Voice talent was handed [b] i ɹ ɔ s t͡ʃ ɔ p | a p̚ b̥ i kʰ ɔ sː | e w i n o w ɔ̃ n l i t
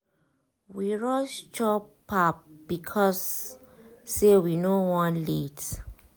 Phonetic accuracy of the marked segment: incorrect: w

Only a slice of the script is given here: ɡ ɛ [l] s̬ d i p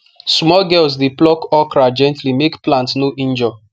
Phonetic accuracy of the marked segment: correct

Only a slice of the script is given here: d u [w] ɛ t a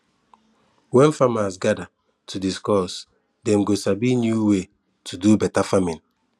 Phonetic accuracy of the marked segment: incorrect: b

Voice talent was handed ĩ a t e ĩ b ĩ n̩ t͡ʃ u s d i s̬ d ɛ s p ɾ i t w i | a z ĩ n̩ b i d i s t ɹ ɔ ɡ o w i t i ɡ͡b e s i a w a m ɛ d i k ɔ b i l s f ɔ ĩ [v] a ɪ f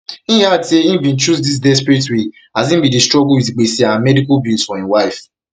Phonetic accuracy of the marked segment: incorrect: w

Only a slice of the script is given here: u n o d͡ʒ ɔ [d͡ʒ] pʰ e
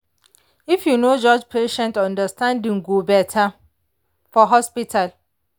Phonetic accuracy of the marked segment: correct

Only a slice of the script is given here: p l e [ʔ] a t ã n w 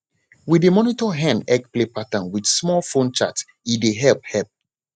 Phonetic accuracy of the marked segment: incorrect: p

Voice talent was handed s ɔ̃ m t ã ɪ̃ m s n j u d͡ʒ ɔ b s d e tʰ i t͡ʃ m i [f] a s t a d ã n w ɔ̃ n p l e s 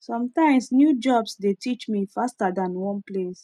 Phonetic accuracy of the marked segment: correct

